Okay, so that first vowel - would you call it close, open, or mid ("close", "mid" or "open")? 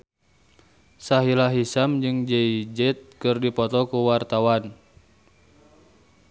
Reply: open